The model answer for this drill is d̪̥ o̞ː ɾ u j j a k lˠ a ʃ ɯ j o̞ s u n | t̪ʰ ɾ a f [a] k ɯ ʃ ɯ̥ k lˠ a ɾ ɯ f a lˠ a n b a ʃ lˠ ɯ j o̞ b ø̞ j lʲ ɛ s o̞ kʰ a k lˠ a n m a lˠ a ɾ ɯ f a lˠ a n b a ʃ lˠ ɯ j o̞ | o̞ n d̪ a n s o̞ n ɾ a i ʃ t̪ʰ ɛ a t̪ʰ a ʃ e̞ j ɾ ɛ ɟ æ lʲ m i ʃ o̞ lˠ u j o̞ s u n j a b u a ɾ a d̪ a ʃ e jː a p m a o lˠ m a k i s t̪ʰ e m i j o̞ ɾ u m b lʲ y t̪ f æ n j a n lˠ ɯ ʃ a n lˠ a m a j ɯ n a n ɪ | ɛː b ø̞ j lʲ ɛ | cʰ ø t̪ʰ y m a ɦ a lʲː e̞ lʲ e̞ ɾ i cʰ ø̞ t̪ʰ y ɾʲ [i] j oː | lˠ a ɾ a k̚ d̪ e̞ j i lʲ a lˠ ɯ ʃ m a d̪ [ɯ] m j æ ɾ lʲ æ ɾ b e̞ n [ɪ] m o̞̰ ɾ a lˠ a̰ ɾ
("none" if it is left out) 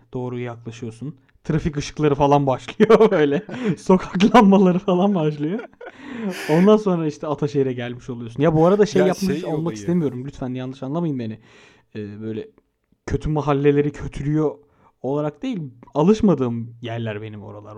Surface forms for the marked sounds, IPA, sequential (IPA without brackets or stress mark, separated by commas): i, y, ɯː, i